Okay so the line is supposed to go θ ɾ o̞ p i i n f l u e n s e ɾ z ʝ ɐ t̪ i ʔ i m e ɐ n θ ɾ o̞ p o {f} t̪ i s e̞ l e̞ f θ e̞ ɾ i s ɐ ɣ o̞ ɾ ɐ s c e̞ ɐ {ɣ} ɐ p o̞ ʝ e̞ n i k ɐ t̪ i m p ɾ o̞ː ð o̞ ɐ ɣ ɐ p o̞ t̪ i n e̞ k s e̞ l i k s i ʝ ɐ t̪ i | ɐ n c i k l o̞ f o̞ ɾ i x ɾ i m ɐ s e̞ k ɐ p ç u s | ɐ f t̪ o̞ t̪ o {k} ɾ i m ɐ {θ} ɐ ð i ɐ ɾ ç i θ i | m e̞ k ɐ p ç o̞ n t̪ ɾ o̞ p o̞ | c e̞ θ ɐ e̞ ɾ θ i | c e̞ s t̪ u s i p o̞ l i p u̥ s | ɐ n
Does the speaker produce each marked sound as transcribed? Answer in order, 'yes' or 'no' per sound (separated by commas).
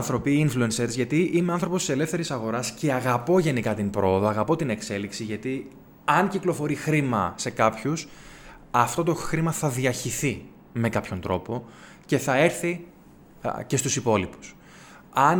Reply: no, yes, no, yes